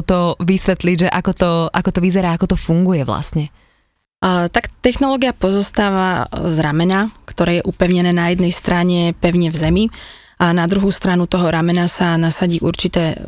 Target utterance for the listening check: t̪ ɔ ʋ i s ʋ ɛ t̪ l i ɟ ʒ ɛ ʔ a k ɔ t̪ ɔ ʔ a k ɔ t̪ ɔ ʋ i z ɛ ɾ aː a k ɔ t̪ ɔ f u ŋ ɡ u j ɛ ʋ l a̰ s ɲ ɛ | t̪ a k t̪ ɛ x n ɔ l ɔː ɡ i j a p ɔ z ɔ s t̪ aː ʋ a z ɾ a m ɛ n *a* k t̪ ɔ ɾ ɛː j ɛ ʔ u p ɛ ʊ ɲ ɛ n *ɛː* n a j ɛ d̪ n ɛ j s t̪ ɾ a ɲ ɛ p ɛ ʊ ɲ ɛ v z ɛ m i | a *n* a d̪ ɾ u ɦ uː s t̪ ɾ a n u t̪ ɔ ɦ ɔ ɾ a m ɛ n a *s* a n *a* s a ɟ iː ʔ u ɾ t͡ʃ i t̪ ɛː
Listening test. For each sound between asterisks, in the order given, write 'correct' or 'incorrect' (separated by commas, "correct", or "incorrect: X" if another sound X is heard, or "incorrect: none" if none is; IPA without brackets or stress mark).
correct, correct, correct, correct, correct